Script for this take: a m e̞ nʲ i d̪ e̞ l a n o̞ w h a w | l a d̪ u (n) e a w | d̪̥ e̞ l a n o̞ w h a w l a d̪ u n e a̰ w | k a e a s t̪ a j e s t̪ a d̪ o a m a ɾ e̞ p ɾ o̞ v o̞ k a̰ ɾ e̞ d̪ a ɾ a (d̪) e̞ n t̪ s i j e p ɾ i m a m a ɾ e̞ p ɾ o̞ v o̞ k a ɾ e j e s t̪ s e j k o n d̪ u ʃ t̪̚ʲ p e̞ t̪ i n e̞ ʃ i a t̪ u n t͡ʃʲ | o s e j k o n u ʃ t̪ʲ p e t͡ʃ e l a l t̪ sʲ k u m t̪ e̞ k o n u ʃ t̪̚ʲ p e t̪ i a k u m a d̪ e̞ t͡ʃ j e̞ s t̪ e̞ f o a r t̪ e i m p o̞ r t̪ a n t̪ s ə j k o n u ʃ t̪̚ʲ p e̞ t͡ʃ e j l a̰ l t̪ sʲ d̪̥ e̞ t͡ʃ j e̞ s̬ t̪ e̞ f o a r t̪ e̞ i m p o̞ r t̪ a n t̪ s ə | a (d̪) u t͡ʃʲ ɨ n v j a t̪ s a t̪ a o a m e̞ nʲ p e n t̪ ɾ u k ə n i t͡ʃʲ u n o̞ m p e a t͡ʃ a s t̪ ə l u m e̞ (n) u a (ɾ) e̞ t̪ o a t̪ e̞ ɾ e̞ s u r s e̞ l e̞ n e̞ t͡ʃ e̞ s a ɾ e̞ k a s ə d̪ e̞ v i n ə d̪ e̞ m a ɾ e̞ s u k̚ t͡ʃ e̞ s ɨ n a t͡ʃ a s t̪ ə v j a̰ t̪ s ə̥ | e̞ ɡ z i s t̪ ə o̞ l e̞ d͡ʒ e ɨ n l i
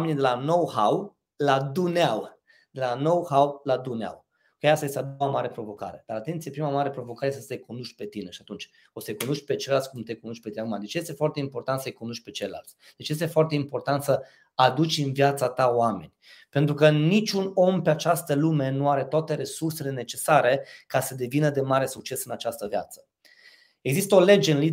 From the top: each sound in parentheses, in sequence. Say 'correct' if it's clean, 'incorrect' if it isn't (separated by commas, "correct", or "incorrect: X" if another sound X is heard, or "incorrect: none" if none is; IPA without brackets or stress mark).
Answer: correct, incorrect: t̪, correct, correct, correct